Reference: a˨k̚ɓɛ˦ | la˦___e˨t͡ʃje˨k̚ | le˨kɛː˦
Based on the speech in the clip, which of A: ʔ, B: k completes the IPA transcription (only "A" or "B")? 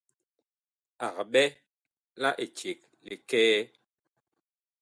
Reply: A